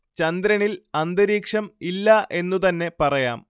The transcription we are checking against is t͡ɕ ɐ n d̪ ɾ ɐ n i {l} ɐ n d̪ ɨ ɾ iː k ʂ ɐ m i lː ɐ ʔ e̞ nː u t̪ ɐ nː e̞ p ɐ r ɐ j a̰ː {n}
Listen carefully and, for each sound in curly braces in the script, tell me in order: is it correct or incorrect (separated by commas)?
correct, incorrect